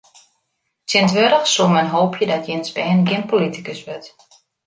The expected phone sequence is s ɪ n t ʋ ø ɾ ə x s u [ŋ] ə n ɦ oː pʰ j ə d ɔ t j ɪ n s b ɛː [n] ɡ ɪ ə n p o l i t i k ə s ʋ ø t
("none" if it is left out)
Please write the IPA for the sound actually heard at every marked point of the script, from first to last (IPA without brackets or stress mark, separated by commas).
m, n